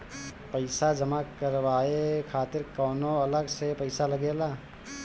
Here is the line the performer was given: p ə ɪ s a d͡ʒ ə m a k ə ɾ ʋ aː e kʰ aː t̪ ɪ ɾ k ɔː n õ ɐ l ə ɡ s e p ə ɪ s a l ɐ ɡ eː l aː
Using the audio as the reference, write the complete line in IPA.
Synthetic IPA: p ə ɪ s a d͡ʒ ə m a k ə ɾ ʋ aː e kʰ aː t̪ ɪ ɾ k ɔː n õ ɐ l ə ɡ s e p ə ɪ s a l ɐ ɡ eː l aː